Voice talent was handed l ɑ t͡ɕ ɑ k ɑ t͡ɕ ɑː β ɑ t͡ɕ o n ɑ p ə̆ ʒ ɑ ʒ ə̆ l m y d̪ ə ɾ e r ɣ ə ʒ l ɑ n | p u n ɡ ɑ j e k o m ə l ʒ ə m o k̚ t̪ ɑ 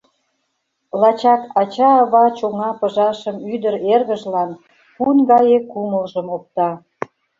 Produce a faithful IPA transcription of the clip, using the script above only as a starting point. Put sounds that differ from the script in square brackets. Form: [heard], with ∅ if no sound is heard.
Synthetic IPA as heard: l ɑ t͡ɕ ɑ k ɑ t͡ɕ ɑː β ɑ t͡ɕ o [ŋ] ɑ p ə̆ ʒ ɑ [ʃ] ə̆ [∅] m y d̪ ə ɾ e r ɣ ə ʒ l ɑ n | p u n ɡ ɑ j e k [u] m ə l ʒ ə m o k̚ t̪ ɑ